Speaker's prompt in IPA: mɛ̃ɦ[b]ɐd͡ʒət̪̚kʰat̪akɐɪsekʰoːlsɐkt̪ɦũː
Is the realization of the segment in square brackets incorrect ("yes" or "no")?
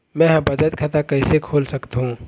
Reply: no